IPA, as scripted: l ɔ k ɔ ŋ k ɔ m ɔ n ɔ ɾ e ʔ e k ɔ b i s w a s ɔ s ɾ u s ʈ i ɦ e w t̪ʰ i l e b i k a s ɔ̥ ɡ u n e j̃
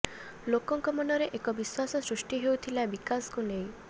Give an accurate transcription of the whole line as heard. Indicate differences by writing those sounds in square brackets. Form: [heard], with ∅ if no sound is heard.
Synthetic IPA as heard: l [o] k ɔ ŋ k ɔ m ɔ n ɔ ɾ e ʔ e k ɔ b i s w a s ɔ s ɾ u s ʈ i ɦ e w t̪ʰ i l [a] b i k a s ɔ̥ [k] u n e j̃